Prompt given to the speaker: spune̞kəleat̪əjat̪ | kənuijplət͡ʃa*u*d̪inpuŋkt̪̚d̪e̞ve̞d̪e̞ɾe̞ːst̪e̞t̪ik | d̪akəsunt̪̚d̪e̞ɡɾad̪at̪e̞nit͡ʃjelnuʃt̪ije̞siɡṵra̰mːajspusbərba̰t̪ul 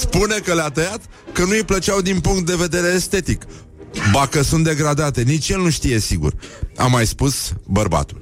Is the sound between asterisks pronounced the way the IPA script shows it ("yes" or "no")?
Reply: no